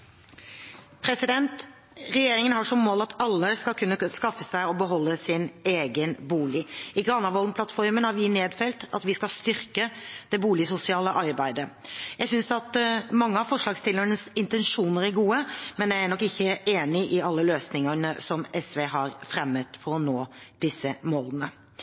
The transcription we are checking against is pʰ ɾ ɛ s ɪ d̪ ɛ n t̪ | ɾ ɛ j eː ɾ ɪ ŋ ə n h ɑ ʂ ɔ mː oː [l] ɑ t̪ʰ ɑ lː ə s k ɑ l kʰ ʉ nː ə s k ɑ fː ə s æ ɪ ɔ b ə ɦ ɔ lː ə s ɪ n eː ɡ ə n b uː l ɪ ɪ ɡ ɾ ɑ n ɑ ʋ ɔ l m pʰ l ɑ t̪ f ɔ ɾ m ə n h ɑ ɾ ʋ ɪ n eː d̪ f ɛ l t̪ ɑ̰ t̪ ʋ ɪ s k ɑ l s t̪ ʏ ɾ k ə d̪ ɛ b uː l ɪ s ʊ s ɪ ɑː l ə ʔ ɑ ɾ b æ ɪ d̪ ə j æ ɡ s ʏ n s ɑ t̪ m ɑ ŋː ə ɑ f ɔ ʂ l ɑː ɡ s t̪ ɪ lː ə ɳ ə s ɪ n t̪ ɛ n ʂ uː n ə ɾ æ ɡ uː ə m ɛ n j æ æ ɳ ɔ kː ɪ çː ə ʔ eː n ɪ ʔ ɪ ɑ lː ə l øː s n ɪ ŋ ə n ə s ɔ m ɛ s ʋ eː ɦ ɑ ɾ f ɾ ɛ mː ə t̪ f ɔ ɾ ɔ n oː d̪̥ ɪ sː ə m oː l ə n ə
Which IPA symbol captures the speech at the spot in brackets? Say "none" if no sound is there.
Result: l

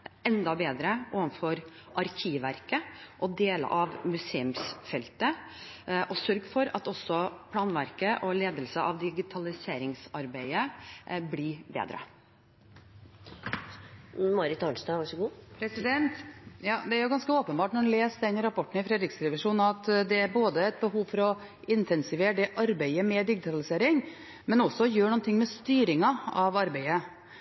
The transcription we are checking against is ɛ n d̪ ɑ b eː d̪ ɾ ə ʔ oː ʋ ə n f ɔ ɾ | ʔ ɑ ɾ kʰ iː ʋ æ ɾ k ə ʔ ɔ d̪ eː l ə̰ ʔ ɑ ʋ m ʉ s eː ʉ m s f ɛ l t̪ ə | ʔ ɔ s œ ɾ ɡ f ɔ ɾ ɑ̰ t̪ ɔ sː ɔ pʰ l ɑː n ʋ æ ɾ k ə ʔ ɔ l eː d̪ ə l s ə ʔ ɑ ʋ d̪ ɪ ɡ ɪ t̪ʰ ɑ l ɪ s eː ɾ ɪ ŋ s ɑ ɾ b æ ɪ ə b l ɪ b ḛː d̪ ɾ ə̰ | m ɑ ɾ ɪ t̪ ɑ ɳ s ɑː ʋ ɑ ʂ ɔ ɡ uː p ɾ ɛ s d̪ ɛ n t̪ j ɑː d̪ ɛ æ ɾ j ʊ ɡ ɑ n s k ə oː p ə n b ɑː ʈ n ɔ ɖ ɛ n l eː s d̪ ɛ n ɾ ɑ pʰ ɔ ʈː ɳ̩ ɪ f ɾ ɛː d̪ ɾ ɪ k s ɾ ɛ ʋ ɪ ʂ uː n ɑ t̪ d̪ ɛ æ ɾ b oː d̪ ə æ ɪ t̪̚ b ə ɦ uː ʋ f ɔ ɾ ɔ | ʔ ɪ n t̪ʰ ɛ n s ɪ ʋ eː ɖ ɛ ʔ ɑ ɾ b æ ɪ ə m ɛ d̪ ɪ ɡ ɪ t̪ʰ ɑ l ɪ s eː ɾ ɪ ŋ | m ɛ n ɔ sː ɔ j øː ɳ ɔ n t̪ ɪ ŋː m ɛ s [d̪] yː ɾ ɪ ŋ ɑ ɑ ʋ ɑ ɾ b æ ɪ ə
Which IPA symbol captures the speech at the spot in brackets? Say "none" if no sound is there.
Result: t̪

